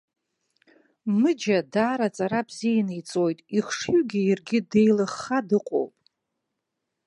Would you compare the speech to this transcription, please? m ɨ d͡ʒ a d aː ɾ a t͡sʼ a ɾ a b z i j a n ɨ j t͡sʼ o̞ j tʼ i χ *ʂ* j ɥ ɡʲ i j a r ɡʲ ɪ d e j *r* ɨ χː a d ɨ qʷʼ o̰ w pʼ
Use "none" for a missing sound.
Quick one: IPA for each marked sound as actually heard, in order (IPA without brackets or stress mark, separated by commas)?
ʂ, l